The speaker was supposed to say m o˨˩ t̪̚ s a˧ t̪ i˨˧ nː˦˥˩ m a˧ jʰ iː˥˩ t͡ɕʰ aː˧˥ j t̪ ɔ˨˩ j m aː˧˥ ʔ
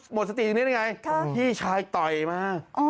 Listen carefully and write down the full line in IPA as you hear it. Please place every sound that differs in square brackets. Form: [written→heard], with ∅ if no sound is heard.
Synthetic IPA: m o˨˩ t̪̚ s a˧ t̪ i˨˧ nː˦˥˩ [m→ŋ] a˧ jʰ iː˥˩ t͡ɕʰ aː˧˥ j t̪ ɔ˨˩ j m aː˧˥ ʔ